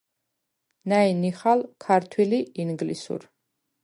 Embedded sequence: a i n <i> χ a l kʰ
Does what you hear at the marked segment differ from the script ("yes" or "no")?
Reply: no